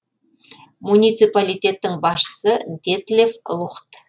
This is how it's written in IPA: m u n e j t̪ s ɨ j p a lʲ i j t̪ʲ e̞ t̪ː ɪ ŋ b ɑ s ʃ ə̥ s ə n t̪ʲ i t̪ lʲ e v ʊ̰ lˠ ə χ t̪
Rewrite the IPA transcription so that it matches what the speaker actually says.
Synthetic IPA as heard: m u n i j t̪ s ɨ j p a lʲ i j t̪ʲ e̞ t̪ː ɪ ŋ b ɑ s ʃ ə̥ s ə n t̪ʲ e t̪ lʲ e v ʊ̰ lˠ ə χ t̪

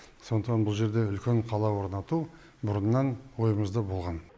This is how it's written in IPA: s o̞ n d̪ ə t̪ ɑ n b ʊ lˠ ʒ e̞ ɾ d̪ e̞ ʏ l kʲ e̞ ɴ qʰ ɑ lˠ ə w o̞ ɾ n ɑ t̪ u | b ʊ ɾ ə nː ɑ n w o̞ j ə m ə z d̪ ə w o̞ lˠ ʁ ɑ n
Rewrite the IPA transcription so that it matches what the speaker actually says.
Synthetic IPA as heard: s o̞ n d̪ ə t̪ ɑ n b ʊ lˠ ʒ e̞ ɾ d̪ e̞ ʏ l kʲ e̞ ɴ qʰ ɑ lˠ ɑ w o̞ ɾ n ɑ t̪ u | b ʊ ɾ ə nː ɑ n w o̞ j ə m ə z d̪ ə b o̞ lˠ ʁ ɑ n

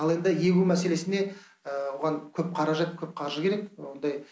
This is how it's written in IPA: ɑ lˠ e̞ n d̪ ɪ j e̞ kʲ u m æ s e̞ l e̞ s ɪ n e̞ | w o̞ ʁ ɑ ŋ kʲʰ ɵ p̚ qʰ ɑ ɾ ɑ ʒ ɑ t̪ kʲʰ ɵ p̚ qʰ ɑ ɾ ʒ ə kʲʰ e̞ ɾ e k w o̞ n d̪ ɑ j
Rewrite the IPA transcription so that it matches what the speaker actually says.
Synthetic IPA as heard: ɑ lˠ e̞ n d̪ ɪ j e̞ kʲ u m æ s e̞ l e̞ s ɪ n e̞ | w o̞ ʁ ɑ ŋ kʲʰ ɵ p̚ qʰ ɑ ɾ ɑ ʒ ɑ t̪ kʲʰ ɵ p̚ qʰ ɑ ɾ ʒ ə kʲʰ e̞ ɾ e k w o̞ n d̪ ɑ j

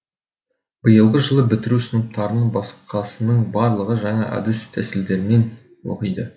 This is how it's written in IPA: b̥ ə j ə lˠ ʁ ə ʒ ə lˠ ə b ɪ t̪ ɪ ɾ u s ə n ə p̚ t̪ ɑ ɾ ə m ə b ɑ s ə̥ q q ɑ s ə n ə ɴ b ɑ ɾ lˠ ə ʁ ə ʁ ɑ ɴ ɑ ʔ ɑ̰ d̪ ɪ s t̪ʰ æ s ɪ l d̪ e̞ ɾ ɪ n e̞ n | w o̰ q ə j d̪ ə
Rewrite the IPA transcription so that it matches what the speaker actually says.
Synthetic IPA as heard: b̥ ə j ə lˠ ʁ ə ʒ ə lˠ ə b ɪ t̪ ɪ ɾ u s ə n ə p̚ t̪ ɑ ɾ ə n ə b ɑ s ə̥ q q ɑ s ə n ə ɴ b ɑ ɾ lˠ ə ʁ ə ʒ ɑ ɴ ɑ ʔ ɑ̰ d̪ ɪ s t̪ʰ æ s ɪ l d̪ e̞ ɾ ɪ n e̞ n | w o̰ q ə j d̪ ə

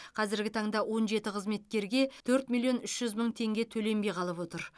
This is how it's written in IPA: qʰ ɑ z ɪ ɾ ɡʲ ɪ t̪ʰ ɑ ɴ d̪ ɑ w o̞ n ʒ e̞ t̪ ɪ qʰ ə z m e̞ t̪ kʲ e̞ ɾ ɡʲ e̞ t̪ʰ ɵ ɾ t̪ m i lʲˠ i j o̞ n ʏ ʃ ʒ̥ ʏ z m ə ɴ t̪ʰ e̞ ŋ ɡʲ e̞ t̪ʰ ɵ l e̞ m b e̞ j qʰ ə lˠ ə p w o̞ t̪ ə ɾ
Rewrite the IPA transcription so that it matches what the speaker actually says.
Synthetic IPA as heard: qʰ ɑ z ɪ ɾ ɡʲ ɪ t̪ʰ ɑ ɴ d̪ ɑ w o̞ n ʒ e̞ t̪ ɪ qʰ ə z m e̞ t̪ kʲ e̞ ɾ ɡʲ e̞ t̪ʰ ɵ ɾ t̪ m i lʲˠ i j o̞ n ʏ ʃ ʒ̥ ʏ z m ə ɴ t̪ʰ e̞ ŋ ɡʲ e̞ t̪ʰ ɵ l e̞ m b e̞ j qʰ ɑ lˠ ə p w o̞ t̪ ə ɾ

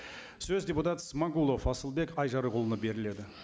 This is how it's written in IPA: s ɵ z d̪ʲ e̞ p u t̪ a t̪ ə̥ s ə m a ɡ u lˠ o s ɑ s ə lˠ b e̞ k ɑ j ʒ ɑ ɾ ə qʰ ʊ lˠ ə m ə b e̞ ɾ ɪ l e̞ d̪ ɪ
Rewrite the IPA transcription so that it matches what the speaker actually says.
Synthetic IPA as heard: s ɵ z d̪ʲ e̞ p u t̪ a t̪ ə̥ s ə m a ɡ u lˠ o f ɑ s ə lˠ b e̞ k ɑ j ʒ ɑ ɾ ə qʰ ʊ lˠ ə n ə b e̞ ɾ ɪ l e̞ d̪ ɪ

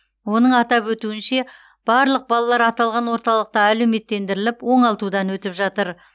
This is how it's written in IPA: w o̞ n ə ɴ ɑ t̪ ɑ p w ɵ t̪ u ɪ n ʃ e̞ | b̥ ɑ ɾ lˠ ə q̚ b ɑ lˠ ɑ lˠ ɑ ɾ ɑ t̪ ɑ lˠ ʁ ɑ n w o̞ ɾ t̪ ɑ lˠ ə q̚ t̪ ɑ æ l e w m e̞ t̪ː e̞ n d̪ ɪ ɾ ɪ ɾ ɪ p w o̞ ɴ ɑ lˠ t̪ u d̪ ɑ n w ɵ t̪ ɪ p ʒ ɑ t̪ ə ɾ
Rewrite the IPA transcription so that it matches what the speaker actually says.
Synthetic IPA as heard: w o̞ n ə ɴ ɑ t̪ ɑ p w ɵ t̪ u ɪ n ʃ e̞ | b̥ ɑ ɾ lˠ ə q̚ b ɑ lˠ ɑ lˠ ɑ ɾ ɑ t̪ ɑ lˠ ʁ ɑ n w o̞ ɾ t̪ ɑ lˠ ə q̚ t̪ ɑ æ l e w m e̞ t̪ː e̞ n d̪ ɪ ɾ ɪ l ɪ p w o̞ ɴ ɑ lˠ t̪ u d̪ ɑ n w ɵ t̪ ɪ p ʒ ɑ t̪ ə ɾ

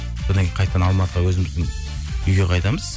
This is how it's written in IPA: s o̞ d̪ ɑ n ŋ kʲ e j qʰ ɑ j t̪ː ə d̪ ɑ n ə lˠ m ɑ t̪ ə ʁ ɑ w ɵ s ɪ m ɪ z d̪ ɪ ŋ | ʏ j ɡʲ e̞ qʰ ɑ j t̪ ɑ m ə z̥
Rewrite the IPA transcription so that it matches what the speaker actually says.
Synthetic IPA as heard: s o̞ d̪ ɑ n ŋ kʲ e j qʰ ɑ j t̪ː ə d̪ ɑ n ɑ lˠ m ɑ t̪ ə ʁ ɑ w ɵ z ɪ m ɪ z d̪ ɪ ŋ | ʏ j ɡʲ e̞ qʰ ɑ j t̪ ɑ m ə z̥

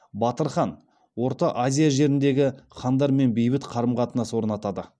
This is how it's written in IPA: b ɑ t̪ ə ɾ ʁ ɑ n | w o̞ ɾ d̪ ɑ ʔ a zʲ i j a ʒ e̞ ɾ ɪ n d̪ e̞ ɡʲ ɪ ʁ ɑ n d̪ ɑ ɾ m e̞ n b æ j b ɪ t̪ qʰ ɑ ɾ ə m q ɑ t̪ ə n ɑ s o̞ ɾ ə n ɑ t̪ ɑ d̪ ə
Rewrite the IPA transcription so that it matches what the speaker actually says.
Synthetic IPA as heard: b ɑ t̪ ə ɾ χ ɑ n | w o̞ ɾ t̪ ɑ ʔ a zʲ i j a ʒ e̞ ɾ ɪ n d̪ e̞ ɡʲ ɪ χ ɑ n d̪ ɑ ɾ m e̞ n b e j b ɪ t̪ qʰ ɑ ɾ ə m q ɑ t̪ ə n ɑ s o̞ ɾ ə n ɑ t̪ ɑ d̪ ə

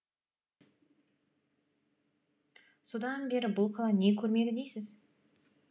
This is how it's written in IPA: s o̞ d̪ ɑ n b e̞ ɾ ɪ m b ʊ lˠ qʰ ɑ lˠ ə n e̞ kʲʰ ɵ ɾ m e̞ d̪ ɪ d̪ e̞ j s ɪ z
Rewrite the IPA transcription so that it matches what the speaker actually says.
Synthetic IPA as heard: s o̞ d̪ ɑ n b e̞ ɾ ɪ b ʊ lˠ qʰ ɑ lˠ ɑ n e̞ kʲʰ ɵ ɾ m e̞ d̪ ɪ d̪ e̞ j s ɪ z

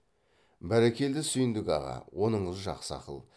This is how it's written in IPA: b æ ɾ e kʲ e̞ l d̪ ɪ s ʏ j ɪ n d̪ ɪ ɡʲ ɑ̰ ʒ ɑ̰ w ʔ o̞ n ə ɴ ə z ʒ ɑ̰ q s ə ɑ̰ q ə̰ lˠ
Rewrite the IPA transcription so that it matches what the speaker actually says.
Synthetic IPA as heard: b æ ɾ e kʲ e̞ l d̪ ɪ s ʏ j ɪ n d̪ ɪ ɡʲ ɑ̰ ʁ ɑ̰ w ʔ o̞ n ə ɴ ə z ʒ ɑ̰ q s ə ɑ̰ q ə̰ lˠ

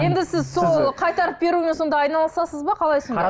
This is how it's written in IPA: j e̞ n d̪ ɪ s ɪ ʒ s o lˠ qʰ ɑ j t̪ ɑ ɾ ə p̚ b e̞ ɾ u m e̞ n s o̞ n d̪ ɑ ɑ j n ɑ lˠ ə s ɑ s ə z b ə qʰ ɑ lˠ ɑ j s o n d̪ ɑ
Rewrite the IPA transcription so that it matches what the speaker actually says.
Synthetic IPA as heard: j e̞ n d̪ ɪ s ɪ z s o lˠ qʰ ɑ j t̪ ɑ ɾ ə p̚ b e̞ ɾ u m e̞ n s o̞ n d̪ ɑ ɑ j n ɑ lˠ ə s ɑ s ə z b ɑ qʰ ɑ lˠ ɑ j s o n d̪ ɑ

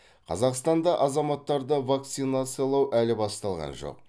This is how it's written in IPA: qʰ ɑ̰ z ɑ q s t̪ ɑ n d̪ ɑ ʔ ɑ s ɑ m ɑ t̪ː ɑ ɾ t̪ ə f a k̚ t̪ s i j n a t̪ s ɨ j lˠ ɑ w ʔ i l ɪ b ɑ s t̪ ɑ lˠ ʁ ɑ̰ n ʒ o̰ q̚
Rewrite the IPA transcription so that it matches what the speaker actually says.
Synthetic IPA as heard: qʰ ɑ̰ z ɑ q s t̪ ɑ n d̪ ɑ ʔ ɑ z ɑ m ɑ t̪ː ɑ ɾ d̪ ə v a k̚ t̪ s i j n a t̪ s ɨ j lˠ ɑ w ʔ æ l ɪ b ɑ s t̪ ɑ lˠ ʁ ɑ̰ n ʒ o̰ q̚

